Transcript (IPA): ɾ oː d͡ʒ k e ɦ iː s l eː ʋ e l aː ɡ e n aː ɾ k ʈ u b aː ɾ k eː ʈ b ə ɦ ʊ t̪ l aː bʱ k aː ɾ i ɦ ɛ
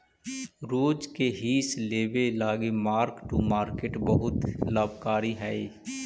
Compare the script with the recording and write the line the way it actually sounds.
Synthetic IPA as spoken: ɾ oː d͡ʒ k e ɦ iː s l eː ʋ e l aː ɡ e m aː ɾ k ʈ u m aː ɾ k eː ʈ b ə ɦ ʊ t̪ l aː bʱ k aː ɾ i ɦ ɛ

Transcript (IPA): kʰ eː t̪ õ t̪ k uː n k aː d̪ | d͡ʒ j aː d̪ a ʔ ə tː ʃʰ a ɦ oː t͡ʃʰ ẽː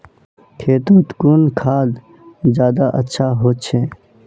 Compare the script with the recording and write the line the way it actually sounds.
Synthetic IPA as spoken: kʰ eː t̪ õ t̪ k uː n kʰ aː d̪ | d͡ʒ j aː d̪ a ʔ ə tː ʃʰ a ɦ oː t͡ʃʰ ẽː

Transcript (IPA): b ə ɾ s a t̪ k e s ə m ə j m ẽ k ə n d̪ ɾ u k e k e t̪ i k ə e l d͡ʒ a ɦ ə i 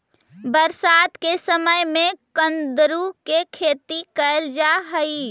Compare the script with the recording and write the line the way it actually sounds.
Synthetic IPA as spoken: b ə ɾ s a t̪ k e s ə m ə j m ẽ k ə n d̪ ɾ u k e kʰ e t̪ i k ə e l d͡ʒ a ɦ ə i

